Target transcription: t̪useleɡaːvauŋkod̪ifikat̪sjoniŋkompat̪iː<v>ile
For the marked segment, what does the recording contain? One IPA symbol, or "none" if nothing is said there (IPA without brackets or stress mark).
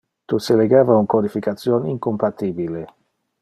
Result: b